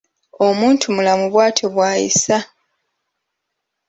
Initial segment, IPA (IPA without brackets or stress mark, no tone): o̞